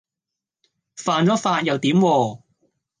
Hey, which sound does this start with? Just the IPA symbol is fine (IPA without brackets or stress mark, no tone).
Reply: f